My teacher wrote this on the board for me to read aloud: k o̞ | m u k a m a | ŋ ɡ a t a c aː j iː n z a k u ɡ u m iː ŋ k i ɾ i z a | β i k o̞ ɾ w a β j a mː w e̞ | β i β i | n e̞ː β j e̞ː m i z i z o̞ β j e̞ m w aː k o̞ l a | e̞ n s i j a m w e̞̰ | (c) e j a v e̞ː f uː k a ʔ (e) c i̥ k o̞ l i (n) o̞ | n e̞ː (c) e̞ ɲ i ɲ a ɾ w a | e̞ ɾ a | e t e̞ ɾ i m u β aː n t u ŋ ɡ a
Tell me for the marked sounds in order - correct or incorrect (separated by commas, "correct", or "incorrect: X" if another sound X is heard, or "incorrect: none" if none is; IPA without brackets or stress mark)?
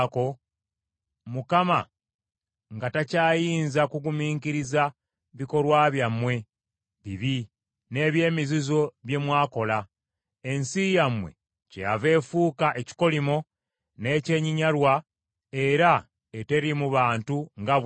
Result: correct, correct, incorrect: m, correct